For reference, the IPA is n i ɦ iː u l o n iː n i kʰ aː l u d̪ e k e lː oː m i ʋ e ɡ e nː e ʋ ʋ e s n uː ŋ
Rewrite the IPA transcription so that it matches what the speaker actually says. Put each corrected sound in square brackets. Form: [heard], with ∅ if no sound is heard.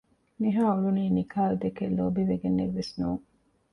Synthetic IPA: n i ɦ [aː] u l [u] n iː n i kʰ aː l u d̪ e k e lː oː [b] i ʋ e ɡ e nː e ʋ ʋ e s n uː ŋ